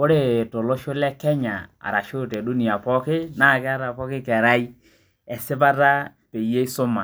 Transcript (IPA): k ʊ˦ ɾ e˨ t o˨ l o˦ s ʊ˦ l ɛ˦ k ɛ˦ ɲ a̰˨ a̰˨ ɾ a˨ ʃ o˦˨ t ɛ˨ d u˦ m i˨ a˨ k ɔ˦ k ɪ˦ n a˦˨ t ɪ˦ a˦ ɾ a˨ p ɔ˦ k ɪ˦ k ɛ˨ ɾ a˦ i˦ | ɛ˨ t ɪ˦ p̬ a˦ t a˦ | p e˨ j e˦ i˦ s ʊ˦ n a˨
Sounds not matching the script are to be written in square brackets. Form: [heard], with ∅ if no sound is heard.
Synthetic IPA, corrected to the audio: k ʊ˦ ɾ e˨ t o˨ l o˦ [ʃ] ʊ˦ l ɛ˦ k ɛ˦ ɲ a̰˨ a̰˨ ɾ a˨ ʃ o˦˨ t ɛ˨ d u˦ [n] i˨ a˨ [p] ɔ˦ k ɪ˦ n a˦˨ [k] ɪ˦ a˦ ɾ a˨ p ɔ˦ k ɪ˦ k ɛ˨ ɾ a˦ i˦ | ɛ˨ [s] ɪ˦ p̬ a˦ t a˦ | p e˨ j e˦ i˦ s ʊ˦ [m] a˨